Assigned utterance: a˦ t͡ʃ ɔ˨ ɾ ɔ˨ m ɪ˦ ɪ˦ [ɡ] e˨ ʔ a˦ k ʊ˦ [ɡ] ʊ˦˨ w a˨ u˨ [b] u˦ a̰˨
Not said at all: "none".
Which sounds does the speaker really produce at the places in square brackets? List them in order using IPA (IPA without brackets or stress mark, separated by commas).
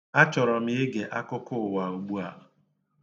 ɡ, k, ɡ͡b